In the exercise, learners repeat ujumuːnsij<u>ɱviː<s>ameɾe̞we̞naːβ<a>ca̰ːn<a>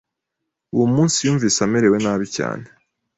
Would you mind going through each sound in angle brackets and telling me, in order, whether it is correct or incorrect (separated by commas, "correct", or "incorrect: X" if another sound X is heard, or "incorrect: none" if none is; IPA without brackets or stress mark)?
incorrect: uː, correct, incorrect: i, incorrect: e